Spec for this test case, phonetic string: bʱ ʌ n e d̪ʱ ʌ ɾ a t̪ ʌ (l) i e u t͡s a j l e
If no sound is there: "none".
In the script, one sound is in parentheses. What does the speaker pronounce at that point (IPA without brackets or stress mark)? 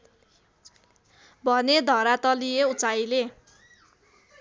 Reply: l